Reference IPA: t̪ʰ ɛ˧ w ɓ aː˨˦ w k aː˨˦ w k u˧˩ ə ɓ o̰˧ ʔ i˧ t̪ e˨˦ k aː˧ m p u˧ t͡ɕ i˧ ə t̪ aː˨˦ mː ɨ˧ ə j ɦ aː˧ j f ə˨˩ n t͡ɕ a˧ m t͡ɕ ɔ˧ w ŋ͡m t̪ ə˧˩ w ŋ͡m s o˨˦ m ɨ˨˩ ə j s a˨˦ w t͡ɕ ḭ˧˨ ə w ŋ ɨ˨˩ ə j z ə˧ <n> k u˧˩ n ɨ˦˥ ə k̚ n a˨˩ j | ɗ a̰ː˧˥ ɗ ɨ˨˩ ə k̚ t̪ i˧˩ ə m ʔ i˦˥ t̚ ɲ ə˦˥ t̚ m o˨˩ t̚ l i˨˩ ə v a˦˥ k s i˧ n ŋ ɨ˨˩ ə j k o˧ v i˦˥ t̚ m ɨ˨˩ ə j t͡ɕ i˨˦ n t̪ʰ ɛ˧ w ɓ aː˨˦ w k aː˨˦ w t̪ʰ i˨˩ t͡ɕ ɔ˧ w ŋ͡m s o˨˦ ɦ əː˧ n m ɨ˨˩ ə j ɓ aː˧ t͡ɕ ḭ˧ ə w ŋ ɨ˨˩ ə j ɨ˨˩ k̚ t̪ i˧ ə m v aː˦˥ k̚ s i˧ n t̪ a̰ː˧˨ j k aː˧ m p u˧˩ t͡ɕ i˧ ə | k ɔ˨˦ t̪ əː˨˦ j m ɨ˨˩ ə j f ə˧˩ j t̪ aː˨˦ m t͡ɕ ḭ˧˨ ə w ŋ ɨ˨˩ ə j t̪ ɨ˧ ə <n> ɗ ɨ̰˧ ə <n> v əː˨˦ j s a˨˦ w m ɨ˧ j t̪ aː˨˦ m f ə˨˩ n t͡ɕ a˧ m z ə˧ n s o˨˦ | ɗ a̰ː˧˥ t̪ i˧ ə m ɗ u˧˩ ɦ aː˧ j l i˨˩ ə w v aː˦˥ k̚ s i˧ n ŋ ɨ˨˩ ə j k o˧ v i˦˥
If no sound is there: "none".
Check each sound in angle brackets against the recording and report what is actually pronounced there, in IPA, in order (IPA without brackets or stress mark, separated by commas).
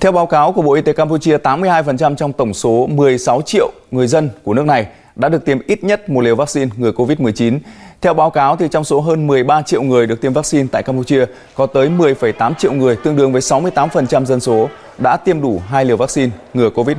n, ŋ, ŋ